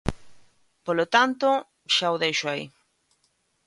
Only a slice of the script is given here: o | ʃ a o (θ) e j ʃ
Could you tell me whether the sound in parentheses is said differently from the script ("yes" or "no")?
yes